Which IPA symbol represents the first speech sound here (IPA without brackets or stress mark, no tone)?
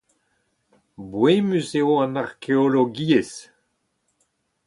b